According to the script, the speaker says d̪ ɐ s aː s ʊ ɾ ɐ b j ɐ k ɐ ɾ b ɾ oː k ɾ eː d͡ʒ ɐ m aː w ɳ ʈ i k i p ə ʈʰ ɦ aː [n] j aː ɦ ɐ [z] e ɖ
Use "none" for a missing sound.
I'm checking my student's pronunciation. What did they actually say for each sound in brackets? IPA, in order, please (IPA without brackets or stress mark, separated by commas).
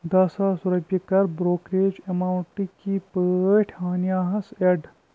n, s